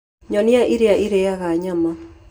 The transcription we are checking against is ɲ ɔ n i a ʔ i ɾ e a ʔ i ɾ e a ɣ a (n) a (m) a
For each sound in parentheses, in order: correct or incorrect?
incorrect, correct

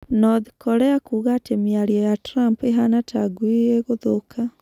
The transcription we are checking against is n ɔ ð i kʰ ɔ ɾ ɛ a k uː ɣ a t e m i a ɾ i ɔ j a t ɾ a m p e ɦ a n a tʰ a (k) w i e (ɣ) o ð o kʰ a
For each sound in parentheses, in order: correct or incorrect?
incorrect, correct

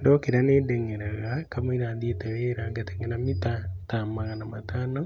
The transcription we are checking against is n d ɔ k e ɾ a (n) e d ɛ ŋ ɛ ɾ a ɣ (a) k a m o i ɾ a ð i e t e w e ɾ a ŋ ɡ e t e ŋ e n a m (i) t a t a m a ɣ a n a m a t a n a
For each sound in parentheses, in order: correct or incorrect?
correct, correct, correct

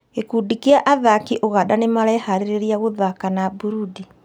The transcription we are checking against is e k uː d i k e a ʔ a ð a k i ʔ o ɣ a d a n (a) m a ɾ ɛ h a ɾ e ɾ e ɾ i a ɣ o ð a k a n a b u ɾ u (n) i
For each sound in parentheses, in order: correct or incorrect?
incorrect, incorrect

